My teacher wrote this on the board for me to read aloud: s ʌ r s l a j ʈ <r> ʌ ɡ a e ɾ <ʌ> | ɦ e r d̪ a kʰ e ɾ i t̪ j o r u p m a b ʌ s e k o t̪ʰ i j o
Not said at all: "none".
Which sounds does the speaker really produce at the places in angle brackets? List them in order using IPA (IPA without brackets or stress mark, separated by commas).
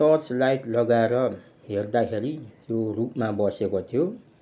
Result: l, ʌ